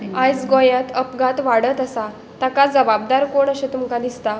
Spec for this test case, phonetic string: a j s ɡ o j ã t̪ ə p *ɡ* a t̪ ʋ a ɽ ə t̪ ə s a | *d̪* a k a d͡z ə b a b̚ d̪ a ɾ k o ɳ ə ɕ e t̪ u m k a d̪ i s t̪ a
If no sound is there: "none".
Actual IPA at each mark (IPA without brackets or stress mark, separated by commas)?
ɡ, t̪